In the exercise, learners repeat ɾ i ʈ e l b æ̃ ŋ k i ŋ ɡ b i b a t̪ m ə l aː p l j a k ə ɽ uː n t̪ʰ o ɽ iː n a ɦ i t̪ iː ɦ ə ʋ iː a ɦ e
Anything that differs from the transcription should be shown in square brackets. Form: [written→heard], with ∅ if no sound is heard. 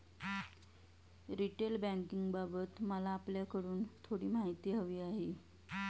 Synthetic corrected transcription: ɾ i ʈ e l b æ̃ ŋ k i ŋ ɡ b [i→a] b [a→ə] t̪ m ə l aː p l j a k ə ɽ uː n t̪ʰ o ɽ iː [n→m] a ɦ i t̪ iː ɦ ə ʋ iː a ɦ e